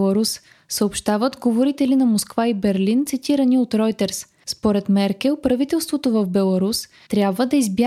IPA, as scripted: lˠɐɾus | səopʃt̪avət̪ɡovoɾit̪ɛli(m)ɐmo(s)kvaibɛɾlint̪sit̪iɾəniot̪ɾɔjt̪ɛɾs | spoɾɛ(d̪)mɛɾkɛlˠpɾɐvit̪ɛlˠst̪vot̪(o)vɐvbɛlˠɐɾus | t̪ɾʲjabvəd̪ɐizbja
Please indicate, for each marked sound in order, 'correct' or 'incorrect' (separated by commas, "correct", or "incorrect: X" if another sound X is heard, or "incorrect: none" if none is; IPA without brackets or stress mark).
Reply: incorrect: n, correct, incorrect: t̪, correct